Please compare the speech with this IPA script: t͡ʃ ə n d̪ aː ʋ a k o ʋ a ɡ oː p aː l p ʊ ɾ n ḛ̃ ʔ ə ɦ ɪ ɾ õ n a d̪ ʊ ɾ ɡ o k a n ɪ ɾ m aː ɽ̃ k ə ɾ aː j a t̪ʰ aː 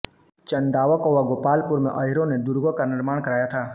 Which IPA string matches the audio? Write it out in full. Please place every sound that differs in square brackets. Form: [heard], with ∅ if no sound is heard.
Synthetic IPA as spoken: t͡ʃ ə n d̪ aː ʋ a k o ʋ a ɡ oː p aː l p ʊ ɾ [m] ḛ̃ ʔ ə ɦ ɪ ɾ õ n [e] d̪ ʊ ɾ ɡ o k a n ɪ ɾ m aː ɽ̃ k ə ɾ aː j a t̪ʰ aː